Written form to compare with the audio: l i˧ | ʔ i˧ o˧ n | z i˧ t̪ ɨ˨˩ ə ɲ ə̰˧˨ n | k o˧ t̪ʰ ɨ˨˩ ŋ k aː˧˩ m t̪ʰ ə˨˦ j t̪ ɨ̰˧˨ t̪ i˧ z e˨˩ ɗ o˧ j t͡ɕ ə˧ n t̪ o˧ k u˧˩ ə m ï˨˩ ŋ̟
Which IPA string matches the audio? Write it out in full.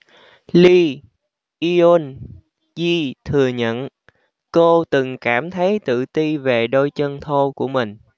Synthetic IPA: l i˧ | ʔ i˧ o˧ n | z i˧ t̪ʰ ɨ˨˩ ə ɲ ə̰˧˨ n | k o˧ t̪ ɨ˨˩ ŋ k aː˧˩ m t̪ʰ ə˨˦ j t̪ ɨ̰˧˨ t̪ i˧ v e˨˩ ɗ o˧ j t͡ɕ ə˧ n t̪ʰ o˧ k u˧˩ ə m ï˨˩ ŋ̟

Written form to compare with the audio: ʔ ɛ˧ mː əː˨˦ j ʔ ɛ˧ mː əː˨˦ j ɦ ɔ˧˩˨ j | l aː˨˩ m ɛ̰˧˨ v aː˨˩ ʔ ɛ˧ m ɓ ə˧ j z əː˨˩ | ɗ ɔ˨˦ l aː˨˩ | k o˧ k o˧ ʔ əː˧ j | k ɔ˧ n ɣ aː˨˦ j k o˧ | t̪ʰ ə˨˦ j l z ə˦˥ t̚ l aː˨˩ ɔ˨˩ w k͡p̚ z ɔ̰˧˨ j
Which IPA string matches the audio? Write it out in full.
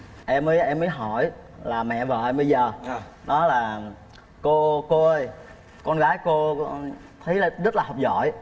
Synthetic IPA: ʔ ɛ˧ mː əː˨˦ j ʔ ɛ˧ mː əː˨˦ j ɦ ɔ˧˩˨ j | l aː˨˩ m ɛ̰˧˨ v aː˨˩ ʔ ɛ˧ m ɓ ə˧ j z əː˨˩ | ɗ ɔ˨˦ l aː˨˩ | k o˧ k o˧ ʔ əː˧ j | k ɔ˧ n ɣ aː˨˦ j k o˧ | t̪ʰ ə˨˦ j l z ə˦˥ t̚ l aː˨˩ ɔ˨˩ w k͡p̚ z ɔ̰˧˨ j

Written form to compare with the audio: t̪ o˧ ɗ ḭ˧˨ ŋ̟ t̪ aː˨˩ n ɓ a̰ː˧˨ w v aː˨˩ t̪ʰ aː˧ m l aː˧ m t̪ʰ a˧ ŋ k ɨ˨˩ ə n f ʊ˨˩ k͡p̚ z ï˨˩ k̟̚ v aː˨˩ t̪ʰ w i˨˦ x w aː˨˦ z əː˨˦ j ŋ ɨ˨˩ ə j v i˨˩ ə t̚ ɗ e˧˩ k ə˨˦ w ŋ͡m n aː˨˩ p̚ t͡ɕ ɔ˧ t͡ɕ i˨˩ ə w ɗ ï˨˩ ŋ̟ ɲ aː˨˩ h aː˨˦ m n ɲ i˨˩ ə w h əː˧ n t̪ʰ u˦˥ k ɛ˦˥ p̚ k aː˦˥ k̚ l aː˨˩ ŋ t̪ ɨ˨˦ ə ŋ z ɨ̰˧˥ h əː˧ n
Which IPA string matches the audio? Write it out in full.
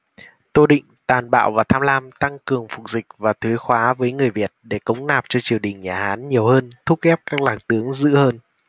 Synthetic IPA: t̪ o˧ ɗ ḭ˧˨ ŋ̟ t̪ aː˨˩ n ɓ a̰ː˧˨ w v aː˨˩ t̪ʰ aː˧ m l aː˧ m t̪ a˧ ŋ k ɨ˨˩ ə ŋ f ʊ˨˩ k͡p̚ z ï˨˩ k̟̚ v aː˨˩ t̪ʰ w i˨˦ x w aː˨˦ v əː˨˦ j ŋ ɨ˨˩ ə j v i˨˩ ə t̚ ɗ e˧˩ k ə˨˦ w ŋ͡m n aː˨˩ p̚ t͡ɕ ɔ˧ t͡ɕ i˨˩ ə w ɗ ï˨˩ ŋ̟ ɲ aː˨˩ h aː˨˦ n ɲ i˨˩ ə w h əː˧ n t̪ʰ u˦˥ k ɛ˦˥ p̚ k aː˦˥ k̚ l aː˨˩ ŋ t̪ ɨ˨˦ ə ŋ z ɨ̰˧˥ h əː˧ n

